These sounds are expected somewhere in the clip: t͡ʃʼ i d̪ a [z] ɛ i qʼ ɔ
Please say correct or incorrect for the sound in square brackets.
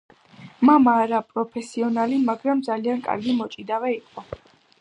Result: incorrect